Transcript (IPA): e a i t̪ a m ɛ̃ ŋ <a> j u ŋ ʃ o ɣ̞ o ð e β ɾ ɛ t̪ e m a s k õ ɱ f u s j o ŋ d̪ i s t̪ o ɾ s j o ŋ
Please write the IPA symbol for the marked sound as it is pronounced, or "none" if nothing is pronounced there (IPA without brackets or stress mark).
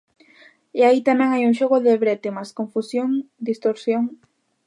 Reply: a